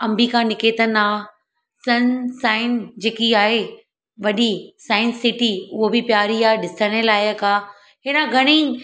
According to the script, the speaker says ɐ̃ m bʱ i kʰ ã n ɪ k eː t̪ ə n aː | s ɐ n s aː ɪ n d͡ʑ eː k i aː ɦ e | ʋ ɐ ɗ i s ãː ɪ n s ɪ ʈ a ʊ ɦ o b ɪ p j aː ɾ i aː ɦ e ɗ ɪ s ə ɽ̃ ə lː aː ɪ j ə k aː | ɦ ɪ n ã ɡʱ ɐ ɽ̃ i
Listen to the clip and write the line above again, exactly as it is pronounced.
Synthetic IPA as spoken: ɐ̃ m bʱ i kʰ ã n ɪ k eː t̪ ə n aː | s ɐ n s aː ɪ n d͡ʑ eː k i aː ɦ e | ʋ ɐ ɗ i s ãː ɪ n s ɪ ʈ i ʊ ɦ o b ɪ p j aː ɾ i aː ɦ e ɗ ɪ s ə ɽ̃ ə l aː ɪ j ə k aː | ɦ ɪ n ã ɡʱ ɐ ɽ̃ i